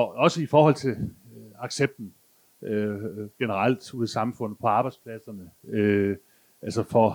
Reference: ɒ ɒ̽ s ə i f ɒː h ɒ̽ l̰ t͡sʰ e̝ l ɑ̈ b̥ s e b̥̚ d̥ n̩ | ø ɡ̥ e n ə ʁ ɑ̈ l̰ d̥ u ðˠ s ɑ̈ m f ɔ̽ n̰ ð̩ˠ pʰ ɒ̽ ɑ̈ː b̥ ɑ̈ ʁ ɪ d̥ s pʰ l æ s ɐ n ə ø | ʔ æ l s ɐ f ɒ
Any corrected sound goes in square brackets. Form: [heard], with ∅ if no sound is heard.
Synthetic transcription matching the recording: ɒ ɒ̽ s ə i f ɒː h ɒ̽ l̰ t͡sʰ e̝ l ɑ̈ [ɡ̥] s e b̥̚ d̥ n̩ | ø ɡ̥ e n ə ʁ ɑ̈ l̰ d̥ u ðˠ s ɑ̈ m f ɔ̽ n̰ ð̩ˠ pʰ ɒ̽ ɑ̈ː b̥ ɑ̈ [∅] ɪ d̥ s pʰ l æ s ɐ n ə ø | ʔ æ l s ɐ f ɒ